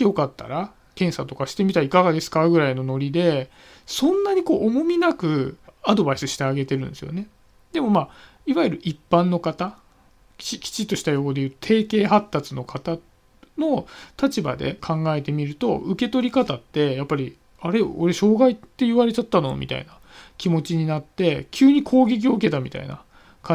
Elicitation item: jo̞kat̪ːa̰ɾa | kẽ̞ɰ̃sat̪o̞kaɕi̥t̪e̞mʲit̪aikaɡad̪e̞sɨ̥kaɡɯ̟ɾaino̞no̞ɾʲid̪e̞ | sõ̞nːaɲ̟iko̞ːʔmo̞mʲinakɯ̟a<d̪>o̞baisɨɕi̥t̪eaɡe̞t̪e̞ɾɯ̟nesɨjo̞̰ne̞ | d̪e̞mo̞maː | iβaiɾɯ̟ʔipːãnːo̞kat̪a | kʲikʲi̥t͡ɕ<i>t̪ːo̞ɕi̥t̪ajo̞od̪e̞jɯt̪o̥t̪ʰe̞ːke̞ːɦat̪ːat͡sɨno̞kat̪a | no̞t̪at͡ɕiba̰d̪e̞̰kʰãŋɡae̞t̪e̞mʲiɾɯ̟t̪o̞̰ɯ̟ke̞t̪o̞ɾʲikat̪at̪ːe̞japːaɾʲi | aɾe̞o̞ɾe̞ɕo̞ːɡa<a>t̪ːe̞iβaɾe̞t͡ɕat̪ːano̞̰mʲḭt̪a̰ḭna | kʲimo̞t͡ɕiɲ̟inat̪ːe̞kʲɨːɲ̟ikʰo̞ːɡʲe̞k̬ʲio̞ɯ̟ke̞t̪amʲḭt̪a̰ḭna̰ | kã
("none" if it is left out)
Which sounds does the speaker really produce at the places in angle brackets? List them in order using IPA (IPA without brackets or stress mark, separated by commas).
d̪, i, i